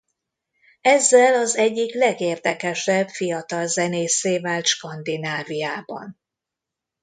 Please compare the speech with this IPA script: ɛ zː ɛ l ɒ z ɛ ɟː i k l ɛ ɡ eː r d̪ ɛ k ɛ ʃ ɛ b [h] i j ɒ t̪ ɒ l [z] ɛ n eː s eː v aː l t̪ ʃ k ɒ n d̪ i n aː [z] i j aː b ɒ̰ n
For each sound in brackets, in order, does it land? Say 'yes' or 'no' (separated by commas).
no, yes, no